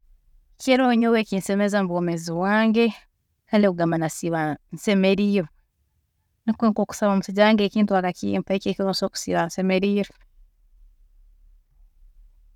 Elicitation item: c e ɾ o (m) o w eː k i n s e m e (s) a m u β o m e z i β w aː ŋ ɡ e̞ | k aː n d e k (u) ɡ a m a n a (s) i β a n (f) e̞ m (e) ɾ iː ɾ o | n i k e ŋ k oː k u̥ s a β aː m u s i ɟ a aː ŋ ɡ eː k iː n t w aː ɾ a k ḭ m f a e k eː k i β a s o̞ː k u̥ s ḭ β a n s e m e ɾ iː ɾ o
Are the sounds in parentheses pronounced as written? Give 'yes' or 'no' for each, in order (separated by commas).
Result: no, no, yes, yes, no, yes